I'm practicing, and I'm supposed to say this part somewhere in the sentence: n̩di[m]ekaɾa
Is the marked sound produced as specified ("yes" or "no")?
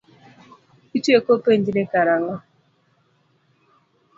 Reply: no